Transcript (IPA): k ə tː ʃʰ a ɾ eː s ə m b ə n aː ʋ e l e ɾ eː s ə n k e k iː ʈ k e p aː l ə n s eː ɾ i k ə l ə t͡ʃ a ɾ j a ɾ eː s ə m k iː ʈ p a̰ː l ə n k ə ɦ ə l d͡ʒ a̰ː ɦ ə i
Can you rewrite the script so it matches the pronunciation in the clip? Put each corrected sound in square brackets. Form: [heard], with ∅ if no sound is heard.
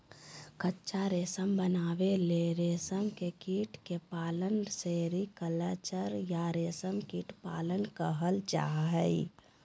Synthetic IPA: k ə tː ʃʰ a ɾ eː s ə m b ə n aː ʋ e l e ɾ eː s ə [m] k e k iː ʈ k e p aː l ə n s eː ɾ i k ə l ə t͡ʃ [ə] ɾ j a ɾ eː s ə m k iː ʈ p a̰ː l ə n k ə ɦ ə l d͡ʒ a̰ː ɦ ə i